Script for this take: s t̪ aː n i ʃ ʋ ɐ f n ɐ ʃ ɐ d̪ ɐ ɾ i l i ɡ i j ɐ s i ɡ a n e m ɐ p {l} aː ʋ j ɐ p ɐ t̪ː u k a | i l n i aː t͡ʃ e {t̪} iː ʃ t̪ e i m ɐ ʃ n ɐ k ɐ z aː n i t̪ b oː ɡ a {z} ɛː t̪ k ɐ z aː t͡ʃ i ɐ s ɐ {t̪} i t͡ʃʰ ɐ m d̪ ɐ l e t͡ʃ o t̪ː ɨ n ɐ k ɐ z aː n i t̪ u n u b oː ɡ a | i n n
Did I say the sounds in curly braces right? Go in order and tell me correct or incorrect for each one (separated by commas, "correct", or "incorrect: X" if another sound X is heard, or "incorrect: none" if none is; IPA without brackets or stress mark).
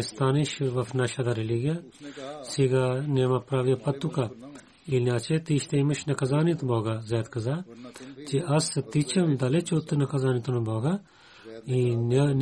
incorrect: ɾ, correct, correct, correct